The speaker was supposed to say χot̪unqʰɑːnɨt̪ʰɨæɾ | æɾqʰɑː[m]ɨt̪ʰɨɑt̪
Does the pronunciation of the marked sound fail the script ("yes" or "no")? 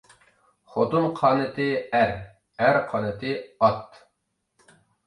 yes